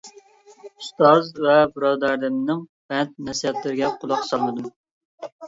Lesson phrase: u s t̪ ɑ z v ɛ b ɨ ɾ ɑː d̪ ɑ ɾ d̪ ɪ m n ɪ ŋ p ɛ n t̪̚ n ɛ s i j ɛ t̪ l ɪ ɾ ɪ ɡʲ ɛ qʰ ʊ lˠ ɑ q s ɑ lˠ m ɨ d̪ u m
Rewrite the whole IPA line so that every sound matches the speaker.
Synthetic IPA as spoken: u s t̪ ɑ z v ɛ b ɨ ɾ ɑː d̪ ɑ ɾ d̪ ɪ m n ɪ ŋ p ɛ n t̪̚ n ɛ s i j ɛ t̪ l ɪ ɾ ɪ ɡʲ ɛ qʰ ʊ lˠ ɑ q s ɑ lˠ m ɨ d̪ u m